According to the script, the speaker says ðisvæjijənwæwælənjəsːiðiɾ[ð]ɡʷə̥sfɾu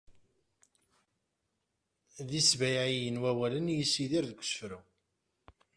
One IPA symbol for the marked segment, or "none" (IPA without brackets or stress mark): ð